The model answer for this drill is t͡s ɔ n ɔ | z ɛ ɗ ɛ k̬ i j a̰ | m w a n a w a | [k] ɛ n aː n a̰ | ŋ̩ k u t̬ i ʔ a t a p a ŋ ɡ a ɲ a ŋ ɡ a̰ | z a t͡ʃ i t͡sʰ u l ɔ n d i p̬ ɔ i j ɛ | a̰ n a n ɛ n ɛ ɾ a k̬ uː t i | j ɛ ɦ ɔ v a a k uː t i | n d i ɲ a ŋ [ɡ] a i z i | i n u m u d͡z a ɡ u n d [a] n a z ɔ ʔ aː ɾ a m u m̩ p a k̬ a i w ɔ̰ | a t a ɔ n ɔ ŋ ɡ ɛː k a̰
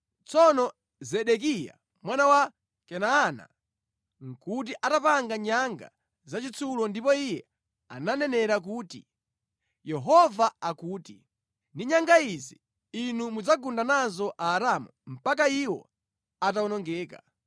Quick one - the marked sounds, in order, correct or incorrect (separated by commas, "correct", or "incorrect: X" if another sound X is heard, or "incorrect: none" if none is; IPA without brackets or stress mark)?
correct, correct, correct